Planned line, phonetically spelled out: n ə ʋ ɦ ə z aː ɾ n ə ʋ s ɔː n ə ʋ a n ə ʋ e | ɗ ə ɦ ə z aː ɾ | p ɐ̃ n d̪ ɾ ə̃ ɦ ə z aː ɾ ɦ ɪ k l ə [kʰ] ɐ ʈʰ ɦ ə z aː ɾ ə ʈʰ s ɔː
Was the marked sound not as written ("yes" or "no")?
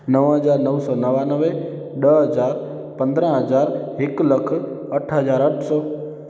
no